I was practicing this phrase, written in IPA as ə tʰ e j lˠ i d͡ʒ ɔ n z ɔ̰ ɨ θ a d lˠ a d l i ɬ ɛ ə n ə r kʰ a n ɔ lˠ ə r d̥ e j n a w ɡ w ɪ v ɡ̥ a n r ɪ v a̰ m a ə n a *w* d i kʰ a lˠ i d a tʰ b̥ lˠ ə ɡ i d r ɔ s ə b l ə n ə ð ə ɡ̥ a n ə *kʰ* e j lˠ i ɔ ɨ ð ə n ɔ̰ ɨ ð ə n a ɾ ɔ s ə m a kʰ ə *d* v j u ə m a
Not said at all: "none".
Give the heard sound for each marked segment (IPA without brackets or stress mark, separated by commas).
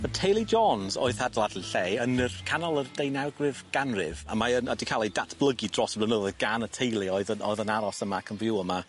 none, tʰ, n